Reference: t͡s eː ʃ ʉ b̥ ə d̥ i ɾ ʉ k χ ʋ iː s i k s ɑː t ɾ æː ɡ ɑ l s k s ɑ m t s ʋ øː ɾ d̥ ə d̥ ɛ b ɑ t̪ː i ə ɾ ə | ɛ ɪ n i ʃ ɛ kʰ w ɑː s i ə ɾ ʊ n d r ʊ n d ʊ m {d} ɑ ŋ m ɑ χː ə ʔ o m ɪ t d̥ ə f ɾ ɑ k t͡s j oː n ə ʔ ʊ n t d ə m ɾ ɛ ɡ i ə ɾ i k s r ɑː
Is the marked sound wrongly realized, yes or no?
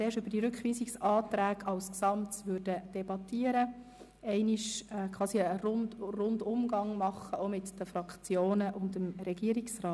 yes